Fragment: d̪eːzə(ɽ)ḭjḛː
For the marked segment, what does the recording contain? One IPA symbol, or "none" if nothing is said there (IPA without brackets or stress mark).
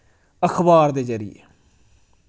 ɾ